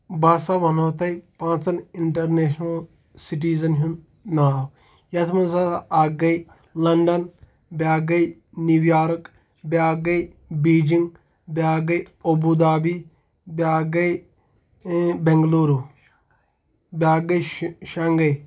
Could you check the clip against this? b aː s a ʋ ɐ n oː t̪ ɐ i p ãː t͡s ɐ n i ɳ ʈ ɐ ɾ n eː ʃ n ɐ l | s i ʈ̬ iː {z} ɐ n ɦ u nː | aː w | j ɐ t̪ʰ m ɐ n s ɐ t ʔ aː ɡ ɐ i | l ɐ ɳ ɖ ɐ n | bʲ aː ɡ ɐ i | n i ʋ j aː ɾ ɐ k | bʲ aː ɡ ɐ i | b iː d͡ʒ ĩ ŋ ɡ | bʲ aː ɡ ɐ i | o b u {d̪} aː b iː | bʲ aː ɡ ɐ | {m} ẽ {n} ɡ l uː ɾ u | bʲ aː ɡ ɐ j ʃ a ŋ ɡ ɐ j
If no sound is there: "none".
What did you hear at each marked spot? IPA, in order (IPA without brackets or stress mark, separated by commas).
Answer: z, d̪, b, ŋ